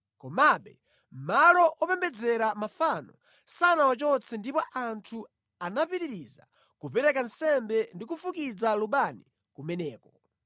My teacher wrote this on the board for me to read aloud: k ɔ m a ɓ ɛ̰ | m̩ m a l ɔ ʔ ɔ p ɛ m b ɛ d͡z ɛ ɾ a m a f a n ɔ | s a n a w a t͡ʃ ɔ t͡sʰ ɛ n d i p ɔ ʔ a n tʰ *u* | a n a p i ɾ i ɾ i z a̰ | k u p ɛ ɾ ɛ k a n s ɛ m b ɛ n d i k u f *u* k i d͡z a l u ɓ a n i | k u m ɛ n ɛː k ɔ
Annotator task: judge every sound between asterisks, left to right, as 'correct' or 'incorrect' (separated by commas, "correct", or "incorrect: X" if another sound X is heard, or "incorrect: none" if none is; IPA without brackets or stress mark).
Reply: correct, correct